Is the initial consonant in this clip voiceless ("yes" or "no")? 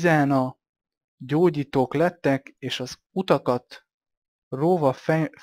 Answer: no